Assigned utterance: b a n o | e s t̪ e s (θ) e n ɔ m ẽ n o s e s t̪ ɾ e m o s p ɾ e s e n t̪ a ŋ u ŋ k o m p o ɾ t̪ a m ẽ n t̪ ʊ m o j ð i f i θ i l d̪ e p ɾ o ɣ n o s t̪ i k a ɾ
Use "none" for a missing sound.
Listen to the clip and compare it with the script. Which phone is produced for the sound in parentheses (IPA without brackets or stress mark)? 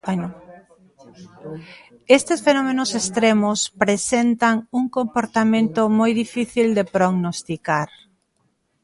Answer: f